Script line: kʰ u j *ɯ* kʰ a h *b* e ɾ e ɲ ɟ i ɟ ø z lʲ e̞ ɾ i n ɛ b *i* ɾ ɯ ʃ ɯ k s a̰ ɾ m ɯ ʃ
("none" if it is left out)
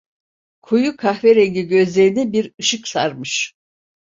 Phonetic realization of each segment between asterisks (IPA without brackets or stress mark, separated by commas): u, v, i